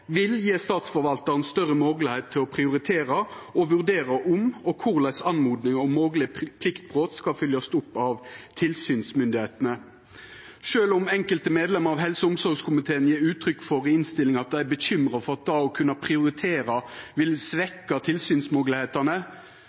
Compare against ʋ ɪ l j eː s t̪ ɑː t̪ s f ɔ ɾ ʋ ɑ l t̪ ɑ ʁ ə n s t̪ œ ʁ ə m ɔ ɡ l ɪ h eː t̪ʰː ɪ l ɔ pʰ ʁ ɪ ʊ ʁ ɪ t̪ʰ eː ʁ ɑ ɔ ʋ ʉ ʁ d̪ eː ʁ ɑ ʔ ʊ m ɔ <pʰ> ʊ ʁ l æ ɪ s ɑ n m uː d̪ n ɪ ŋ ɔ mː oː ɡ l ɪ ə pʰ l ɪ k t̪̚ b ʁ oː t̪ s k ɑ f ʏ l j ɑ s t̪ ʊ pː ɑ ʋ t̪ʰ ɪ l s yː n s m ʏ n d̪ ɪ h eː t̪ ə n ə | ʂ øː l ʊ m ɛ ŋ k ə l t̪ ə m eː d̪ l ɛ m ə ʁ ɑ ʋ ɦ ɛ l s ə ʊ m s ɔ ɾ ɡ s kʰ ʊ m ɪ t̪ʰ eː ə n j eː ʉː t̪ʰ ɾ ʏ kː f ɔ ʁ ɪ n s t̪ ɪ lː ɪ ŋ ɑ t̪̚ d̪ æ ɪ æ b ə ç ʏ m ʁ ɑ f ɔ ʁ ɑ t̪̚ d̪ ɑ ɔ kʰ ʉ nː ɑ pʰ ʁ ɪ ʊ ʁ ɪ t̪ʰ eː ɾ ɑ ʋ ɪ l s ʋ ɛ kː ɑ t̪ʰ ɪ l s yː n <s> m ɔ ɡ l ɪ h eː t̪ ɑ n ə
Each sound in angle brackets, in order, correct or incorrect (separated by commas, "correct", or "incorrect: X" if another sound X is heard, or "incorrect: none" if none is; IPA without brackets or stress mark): incorrect: kʰ, correct